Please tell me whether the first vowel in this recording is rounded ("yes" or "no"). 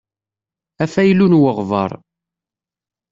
no